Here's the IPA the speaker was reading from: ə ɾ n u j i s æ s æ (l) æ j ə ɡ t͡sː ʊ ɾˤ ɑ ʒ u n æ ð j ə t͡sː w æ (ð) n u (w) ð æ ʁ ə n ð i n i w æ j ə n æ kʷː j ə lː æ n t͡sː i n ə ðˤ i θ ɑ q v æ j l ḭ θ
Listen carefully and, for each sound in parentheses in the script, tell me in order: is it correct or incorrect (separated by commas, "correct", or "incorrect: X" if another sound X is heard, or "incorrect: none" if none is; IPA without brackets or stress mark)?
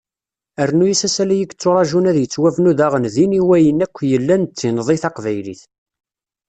correct, incorrect: v, incorrect: none